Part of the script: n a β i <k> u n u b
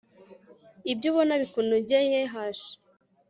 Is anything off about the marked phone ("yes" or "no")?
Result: no